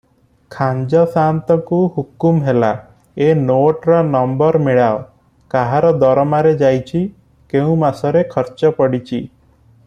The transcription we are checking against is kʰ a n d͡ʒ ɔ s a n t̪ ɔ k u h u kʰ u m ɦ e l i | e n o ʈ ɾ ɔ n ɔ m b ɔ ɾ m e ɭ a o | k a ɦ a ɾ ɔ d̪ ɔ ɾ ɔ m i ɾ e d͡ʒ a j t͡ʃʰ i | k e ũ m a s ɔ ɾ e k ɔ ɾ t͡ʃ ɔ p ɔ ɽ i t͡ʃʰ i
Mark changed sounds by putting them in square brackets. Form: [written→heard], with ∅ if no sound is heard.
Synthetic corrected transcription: kʰ a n d͡ʒ ɔ s a n t̪ ɔ k u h u [kʰ→k] u m ɦ e l [i→a] | e n o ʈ ɾ ɔ n ɔ m b ɔ ɾ m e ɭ a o | k a ɦ a ɾ ɔ d̪ ɔ ɾ ɔ m [i→a] ɾ e d͡ʒ a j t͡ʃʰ i | k e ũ m a s ɔ ɾ e [k→kʰ] ɔ ɾ t͡ʃ ɔ p ɔ ɽ i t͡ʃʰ i